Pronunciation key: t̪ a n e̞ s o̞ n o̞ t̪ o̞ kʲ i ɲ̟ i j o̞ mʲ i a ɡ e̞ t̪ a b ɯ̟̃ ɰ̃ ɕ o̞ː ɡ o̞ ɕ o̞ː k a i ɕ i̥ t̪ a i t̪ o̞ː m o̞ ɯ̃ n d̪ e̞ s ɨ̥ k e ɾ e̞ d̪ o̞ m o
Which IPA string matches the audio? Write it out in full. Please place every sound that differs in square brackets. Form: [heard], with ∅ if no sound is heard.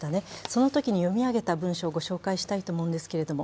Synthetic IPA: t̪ a n e̞ s o̞ n o̞ t̪ o̞ kʲ i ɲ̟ i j o̞ mʲ i a ɡ e̞ t̪ a b ɯ̟̃ ɰ̃ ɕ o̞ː ɡ o̞ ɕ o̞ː k a i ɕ i̥ t̪ a i t̪ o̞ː m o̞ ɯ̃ n d̪ e̞ s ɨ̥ k e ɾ e̞ d̪ o̞ m o